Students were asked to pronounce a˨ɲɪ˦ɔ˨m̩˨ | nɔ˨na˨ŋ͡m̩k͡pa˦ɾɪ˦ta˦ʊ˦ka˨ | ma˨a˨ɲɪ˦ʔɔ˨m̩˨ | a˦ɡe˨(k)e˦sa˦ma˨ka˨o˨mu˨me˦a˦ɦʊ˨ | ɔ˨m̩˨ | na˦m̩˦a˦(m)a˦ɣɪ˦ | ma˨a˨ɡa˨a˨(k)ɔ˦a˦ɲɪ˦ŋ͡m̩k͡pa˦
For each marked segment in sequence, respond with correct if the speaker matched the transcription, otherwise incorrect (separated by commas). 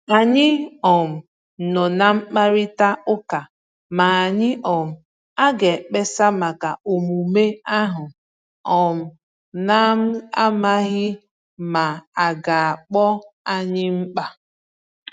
incorrect, correct, incorrect